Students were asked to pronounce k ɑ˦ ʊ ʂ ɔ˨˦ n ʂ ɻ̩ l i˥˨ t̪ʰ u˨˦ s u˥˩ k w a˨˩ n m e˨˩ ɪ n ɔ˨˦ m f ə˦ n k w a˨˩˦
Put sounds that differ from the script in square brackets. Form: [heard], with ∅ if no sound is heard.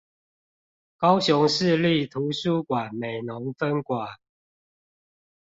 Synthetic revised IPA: k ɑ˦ ʊ [ɕ] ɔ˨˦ [ŋ] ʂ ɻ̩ l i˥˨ t̪ʰ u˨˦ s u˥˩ k w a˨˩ n m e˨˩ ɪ n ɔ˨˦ [ŋ] f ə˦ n k w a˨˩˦